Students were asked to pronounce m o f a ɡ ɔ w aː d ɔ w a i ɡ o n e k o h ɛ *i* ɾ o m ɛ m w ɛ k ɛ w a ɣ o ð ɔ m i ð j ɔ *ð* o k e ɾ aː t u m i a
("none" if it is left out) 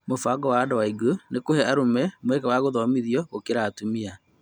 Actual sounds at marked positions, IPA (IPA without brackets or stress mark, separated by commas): a, ɣ